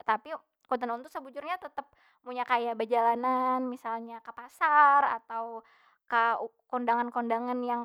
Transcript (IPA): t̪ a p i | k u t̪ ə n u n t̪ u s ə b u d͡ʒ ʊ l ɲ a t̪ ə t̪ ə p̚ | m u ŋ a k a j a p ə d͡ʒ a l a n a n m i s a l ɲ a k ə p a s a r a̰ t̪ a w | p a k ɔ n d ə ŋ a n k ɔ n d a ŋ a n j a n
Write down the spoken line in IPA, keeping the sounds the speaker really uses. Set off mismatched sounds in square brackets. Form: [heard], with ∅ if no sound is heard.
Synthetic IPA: t̪ a p i | k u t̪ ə n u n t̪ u s ə b u d͡ʒ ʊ [r] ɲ a t̪ ə t̪ ə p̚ | m u [ɲ] a k a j a [b] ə d͡ʒ a l a n a n m i s a l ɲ a k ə p a s a r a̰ t̪ a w | [k] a k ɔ n d [a] ŋ a n k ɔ n d a ŋ a n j a [ŋ]